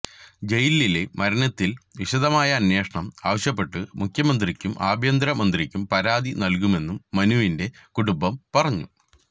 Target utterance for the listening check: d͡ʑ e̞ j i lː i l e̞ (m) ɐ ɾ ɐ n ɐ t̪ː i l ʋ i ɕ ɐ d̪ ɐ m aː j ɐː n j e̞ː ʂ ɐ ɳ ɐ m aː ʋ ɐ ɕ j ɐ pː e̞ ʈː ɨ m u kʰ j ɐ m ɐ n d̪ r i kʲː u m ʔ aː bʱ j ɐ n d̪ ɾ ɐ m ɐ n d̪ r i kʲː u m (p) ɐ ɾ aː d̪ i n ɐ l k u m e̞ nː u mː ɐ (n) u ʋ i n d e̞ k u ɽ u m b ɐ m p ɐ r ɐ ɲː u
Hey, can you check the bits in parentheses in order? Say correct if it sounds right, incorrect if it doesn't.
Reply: correct, correct, correct

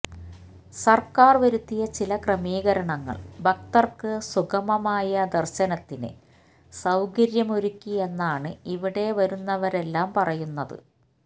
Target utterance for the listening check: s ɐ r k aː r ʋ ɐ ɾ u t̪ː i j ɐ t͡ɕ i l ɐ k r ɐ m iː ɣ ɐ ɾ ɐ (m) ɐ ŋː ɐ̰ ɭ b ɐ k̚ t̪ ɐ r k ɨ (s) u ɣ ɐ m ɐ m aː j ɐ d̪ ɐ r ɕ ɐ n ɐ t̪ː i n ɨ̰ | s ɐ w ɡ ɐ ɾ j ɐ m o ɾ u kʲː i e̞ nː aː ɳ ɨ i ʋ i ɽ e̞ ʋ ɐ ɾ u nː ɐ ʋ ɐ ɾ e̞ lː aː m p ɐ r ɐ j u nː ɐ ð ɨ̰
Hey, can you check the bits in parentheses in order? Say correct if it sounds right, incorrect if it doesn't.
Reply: incorrect: ɳ, correct

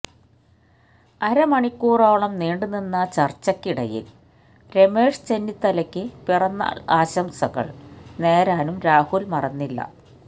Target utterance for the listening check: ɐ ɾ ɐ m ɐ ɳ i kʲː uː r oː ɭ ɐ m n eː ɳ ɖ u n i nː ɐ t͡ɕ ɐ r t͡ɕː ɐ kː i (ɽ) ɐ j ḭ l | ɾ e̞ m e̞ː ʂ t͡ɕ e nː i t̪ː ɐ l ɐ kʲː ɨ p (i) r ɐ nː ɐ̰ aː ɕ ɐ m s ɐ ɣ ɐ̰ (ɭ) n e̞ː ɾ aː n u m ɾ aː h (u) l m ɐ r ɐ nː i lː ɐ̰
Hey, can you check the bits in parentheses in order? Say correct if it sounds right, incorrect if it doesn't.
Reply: correct, correct, correct, correct

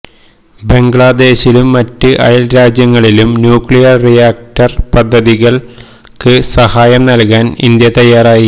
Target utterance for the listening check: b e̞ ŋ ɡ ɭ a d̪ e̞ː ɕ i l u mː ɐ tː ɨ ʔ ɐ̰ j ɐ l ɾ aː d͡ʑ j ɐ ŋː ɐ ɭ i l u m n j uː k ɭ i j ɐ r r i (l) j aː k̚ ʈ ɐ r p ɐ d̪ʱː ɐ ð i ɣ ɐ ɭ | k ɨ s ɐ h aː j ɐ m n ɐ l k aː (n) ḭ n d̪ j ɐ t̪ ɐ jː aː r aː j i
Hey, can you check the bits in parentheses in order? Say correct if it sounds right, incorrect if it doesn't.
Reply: incorrect: none, correct

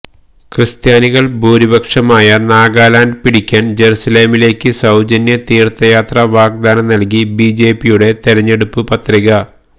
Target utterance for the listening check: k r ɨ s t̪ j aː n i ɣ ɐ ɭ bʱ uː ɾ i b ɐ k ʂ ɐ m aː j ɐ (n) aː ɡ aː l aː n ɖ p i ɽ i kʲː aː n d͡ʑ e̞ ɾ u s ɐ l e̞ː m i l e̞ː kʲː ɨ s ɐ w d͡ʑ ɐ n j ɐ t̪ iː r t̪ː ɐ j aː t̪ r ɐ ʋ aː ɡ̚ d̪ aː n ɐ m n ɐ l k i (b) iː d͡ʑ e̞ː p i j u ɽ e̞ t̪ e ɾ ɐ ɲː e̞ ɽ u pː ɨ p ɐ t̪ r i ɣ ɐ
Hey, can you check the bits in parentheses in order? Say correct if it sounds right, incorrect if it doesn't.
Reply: correct, correct

